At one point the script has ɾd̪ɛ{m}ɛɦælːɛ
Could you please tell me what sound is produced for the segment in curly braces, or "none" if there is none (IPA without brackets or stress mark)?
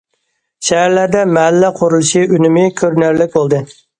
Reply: m